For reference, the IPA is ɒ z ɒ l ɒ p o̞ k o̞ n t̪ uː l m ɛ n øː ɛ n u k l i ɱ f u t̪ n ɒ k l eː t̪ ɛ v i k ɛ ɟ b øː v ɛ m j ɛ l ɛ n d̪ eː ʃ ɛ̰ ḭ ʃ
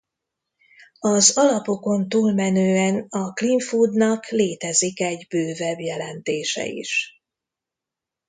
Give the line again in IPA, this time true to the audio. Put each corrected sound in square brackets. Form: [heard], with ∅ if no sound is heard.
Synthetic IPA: ɒ z ɒ l ɒ p o̞ k o̞ n t̪ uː l m ɛ n øː ɛ n [ɒ] k l i ɱ f u [d̪] n ɒ k l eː t̪ ɛ [z] i k ɛ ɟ b øː v ɛ [b] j ɛ l ɛ n [t̪] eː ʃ ɛ̰ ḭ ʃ

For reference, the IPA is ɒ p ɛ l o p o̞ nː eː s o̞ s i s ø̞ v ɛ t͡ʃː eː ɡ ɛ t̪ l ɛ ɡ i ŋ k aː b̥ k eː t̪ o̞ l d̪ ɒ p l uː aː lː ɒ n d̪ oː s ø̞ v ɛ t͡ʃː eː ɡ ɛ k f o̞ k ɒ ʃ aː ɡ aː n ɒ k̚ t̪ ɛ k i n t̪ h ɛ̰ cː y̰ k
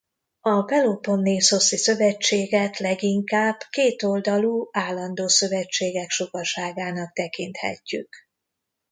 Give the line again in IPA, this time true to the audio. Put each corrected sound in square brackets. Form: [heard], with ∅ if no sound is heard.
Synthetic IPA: ɒ p ɛ l o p o̞ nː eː s o̞ s i s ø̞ v ɛ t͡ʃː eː ɡ ɛ t̪ l ɛ ɡ i ŋ k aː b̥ k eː t̪ o̞ l d̪ ɒ [∅] l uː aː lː ɒ n d̪ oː s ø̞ v ɛ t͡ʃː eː ɡ ɛ k [ʃ] o̞ k ɒ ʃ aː ɡ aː n ɒ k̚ t̪ ɛ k i n t̪ h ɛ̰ cː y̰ k

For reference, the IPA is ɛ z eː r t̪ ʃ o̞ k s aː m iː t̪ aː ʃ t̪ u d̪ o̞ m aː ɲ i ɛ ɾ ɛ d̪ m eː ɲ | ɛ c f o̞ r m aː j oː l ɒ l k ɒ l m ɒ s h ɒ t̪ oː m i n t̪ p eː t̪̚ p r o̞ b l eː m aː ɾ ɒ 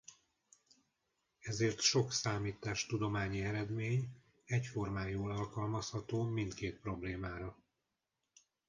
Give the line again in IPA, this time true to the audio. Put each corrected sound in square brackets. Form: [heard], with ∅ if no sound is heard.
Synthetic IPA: ɛ z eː r t̪ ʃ o̞ k s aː m iː t̪ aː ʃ t̪ u d̪ o̞ m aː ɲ i ɛ ɾ ɛ d̪ m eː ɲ | ɛ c f o̞ r m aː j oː l ɒ l k ɒ l m ɒ s h ɒ t̪ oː m i n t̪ [k] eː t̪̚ p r o̞ b l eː m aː ɾ ɒ

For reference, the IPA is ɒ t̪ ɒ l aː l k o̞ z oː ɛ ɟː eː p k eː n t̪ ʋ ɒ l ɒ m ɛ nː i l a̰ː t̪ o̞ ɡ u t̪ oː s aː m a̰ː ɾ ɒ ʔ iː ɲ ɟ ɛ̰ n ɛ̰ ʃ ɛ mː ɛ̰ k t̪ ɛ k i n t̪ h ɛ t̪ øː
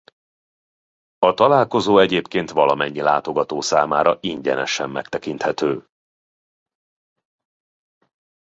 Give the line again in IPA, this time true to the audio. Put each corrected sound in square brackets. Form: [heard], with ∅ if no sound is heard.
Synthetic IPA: ɒ t̪ ɒ l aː l k o̞ z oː ɛ [ɟ] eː p k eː n t̪ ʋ ɒ l ɒ m ɛ [ɲː] i l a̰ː t̪ o̞ ɡ [ɒ] t̪ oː s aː m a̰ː ɾ ɒ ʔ [i] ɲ ɟ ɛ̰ n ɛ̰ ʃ ɛ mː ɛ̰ k t̪ ɛ k i n t̪ h ɛ t̪ øː

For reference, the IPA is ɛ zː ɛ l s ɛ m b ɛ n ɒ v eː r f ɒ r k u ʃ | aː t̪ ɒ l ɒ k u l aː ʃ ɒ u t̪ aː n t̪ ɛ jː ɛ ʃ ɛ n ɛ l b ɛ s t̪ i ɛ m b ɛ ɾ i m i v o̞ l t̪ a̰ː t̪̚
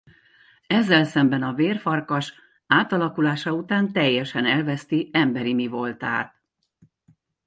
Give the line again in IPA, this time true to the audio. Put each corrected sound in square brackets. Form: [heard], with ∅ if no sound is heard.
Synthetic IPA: ɛ zː ɛ l s ɛ m b ɛ n ɒ v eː r f ɒ r k [ɒ] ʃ | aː t̪ ɒ l ɒ k u l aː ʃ ɒ u t̪ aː n t̪ ɛ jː ɛ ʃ ɛ n ɛ l [v] ɛ s t̪ i ɛ m b ɛ ɾ i m i v o̞ l t̪ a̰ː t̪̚

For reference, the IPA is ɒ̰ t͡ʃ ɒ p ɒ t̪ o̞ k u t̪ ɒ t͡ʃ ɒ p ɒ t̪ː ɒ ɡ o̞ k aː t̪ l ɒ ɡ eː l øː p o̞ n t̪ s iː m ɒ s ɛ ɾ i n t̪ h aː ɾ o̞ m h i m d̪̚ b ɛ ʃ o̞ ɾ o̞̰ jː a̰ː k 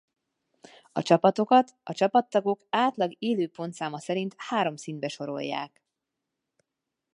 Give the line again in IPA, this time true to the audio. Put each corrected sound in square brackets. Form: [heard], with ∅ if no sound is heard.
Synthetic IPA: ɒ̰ t͡ʃ ɒ p ɒ t̪ o̞ k [ɒ] t̪ ɒ t͡ʃ ɒ p ɒ t̪ː ɒ ɡ o̞ k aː t̪ l ɒ ɡ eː l øː p o̞ n t̪ s [aː] m ɒ s ɛ ɾ i n t̪ h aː ɾ o̞ m [s] i [n] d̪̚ b ɛ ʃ o̞ ɾ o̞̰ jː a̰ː k

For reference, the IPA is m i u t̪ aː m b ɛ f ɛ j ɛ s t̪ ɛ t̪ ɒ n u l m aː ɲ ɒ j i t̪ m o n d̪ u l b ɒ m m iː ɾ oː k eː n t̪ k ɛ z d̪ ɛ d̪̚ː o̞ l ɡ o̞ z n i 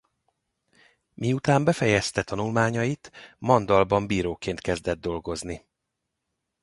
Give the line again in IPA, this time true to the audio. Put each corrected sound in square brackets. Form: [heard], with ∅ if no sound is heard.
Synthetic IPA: m i u t̪ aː m b ɛ f ɛ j ɛ s t̪ ɛ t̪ ɒ n u l m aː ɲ ɒ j i t̪ m [ɒ] n d̪ [ɒ] l b ɒ m [b] iː ɾ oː k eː n t̪ k ɛ z d̪ ɛ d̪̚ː o̞ l ɡ o̞ z n i

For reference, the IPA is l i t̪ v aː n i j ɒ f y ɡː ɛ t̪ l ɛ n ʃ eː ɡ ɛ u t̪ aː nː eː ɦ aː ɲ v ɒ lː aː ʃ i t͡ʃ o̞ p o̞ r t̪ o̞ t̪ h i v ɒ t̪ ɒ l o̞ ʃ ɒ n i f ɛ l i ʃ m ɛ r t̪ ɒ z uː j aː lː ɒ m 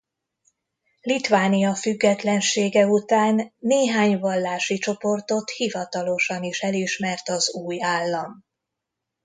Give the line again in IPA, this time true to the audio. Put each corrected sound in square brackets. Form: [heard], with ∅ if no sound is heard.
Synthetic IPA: l i t̪ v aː n i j ɒ f y ɡː ɛ t̪ l ɛ n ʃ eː ɡ ɛ u t̪ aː nː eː ɦ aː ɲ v ɒ lː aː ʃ i t͡ʃ o̞ p o̞ r t̪ o̞ t̪ h i v ɒ t̪ ɒ l o̞ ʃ ɒ n i [ʃ] ɛ l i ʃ m ɛ r t̪ ɒ z uː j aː lː ɒ m

